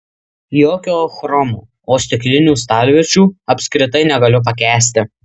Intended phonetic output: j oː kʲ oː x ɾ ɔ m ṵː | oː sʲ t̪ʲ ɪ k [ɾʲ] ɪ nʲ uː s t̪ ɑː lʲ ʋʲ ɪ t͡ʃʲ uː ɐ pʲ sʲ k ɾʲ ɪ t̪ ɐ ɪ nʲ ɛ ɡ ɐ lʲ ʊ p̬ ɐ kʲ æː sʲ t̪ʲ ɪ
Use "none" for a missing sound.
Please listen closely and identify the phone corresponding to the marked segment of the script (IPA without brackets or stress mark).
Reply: lʲ